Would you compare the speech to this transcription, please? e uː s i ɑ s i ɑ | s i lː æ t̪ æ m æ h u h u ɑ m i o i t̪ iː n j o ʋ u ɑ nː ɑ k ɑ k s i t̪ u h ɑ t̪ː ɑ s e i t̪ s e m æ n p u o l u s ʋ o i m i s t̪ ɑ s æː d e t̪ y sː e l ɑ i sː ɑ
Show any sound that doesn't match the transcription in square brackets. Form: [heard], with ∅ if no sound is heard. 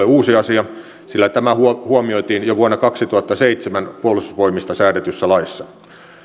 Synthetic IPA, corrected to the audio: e uː s i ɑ s i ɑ | s i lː æ t̪ æ m æ h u h u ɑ m i o i t̪ iː n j o ʋ u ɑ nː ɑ k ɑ k s i t̪ u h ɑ t̪ː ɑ s e i t̪ s e m æ n p u o l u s ʋ o i m i s t̪ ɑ s æː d e t̪ y sː [æ] l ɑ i sː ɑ